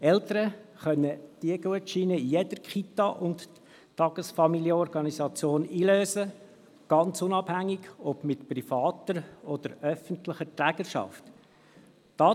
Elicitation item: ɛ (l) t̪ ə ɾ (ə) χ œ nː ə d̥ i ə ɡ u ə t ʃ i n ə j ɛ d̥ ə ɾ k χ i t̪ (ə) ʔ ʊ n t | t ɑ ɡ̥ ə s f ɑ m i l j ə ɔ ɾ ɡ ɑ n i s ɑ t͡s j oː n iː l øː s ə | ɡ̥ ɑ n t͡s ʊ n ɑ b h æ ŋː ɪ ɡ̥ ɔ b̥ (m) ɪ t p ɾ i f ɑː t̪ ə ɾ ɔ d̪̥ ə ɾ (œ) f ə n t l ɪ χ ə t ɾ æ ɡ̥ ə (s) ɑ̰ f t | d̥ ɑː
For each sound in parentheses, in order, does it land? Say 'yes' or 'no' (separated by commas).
yes, yes, no, yes, yes, no